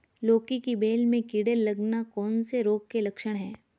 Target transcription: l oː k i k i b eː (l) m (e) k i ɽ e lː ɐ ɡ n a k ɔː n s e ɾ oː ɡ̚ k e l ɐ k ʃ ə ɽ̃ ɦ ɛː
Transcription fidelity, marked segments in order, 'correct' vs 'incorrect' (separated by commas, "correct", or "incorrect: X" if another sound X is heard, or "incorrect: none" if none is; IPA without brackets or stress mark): correct, incorrect: ẽ